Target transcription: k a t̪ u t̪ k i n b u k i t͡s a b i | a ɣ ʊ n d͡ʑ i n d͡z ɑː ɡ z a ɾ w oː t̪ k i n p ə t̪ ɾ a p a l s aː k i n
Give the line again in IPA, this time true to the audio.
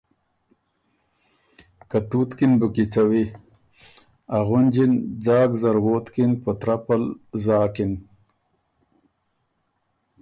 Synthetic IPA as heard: k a t̪ u t̪ k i n b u k i t͡s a w i | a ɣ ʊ n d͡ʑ i n d͡z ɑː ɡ z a ɾ w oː t̪ k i n p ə t̪ ɾ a p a l z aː k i n